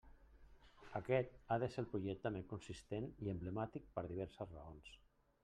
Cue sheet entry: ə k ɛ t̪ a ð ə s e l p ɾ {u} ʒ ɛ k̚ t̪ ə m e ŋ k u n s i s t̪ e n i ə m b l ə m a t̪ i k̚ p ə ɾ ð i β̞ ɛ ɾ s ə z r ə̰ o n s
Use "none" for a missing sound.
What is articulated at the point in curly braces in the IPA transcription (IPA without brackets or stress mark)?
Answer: u